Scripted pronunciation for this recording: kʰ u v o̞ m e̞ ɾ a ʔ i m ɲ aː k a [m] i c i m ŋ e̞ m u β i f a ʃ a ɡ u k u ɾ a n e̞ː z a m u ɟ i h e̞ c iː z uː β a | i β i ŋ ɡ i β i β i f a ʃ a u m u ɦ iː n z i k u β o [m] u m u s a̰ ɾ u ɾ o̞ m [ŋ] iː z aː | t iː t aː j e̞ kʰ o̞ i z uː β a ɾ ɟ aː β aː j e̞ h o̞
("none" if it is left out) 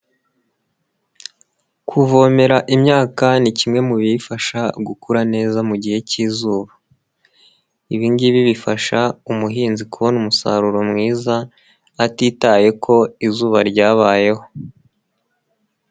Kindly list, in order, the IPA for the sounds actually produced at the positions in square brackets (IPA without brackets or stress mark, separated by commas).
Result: n, n, ŋ